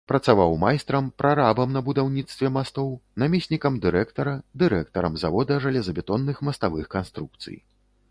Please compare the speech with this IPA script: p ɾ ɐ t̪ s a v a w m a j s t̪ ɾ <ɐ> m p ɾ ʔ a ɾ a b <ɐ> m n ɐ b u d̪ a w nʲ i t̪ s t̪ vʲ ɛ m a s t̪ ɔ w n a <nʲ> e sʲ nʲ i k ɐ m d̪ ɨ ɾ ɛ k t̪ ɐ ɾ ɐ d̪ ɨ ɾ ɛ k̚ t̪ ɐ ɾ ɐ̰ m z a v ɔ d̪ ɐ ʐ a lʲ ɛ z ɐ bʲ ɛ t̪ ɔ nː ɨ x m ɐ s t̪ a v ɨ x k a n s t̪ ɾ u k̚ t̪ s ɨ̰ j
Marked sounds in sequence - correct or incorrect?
correct, correct, incorrect: mʲ

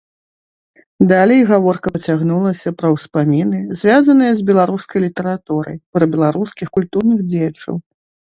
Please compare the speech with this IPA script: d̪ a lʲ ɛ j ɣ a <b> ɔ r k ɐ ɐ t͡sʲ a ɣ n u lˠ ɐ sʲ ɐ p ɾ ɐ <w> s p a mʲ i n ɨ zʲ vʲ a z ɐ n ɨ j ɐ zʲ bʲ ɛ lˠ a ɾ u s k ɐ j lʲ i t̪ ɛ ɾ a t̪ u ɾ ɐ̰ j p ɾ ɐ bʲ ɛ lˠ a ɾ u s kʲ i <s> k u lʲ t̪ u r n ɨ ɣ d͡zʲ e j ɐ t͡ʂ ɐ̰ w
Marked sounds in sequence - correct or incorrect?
incorrect: v, correct, incorrect: x

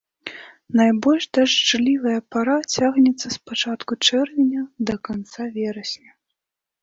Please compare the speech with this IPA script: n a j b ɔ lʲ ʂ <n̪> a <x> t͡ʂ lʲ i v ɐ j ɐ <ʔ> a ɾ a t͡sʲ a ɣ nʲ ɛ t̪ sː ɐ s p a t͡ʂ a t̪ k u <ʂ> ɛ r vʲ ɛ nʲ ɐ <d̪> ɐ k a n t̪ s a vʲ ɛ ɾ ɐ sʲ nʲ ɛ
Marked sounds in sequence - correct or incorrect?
incorrect: d̪, incorrect: ʂ, incorrect: p, incorrect: t͡ʂ, correct

